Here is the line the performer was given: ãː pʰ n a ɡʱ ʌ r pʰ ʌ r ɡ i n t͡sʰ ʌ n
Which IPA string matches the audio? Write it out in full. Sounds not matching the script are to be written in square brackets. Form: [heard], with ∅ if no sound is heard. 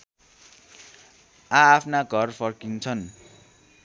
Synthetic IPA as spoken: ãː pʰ n a ɡʱ ʌ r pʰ ʌ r [k] i n t͡sʰ ʌ n